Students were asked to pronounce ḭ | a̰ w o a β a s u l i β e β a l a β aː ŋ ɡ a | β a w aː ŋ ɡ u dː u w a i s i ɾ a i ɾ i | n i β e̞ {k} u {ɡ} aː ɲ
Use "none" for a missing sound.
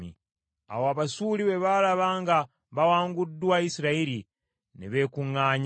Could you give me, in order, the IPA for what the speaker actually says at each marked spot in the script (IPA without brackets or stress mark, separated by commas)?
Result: k, ŋ